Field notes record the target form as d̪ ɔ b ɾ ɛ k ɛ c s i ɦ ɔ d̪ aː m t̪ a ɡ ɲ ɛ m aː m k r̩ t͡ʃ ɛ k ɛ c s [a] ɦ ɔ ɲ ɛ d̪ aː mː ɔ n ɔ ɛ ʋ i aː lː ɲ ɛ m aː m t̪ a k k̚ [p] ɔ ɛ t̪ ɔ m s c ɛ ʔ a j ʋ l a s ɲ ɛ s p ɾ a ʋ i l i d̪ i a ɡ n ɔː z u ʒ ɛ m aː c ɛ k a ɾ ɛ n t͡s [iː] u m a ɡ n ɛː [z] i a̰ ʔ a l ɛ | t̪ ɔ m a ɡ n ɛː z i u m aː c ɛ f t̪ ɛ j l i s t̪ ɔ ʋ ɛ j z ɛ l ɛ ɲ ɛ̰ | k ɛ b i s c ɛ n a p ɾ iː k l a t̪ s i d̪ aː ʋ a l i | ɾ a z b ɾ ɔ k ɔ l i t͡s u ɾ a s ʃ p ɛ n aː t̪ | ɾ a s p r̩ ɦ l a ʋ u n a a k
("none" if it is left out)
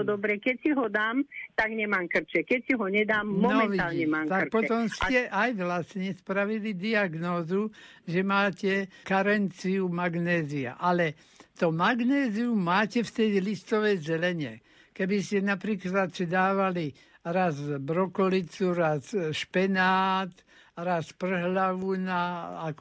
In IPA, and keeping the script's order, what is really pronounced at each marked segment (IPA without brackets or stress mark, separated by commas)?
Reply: i, p, i, z